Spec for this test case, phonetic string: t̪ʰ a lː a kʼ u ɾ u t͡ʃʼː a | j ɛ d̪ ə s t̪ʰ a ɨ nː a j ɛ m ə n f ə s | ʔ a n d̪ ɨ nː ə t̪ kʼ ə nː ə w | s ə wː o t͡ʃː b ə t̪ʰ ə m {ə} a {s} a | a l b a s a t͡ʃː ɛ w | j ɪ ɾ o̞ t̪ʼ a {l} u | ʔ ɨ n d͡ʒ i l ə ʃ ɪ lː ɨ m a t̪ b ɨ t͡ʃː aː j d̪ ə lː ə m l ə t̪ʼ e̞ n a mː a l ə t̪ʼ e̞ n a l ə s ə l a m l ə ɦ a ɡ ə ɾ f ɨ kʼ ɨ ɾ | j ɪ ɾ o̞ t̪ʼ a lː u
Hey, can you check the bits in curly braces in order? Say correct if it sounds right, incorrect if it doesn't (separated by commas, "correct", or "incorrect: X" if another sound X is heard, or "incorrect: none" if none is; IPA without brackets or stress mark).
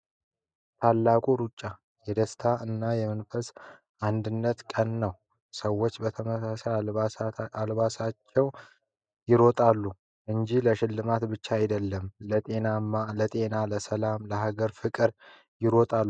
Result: correct, correct, incorrect: lː